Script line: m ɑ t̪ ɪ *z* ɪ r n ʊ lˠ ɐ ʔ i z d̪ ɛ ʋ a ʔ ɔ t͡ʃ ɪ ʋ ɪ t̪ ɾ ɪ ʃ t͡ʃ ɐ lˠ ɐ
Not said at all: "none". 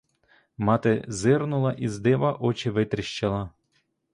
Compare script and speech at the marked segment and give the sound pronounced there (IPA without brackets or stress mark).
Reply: z